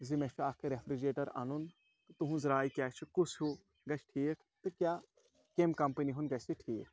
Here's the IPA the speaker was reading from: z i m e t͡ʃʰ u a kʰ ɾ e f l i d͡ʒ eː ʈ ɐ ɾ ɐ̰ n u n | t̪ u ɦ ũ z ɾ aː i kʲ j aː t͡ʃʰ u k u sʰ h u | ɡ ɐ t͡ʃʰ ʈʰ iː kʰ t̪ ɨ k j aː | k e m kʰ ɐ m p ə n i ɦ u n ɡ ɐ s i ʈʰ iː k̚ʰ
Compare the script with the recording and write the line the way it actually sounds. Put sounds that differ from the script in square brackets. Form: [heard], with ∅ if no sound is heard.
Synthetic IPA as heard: z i m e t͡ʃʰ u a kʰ ɾ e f [ɾ] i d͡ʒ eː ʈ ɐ ɾ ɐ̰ n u n | t̪ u ɦ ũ z ɾ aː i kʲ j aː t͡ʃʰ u k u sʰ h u | ɡ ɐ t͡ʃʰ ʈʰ iː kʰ t̪ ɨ k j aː | k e m [k] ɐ m p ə n i ɦ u n ɡ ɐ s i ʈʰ iː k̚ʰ